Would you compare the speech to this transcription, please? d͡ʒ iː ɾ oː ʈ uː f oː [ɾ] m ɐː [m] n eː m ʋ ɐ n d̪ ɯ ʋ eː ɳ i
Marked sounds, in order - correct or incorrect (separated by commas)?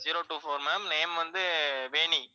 correct, correct